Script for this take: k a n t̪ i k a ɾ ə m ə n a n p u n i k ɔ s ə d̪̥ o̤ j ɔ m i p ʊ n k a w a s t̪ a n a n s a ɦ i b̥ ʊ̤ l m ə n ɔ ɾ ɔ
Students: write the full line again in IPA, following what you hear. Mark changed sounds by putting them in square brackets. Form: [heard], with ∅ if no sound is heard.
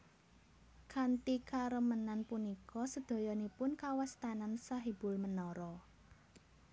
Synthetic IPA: k a n t̪ i k a ɾ ə m ə n a n p u n i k ɔ s ə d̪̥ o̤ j ɔ [n] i p ʊ n k a w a s t̪ a n a n s a ɦ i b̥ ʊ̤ l m ə n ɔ ɾ ɔ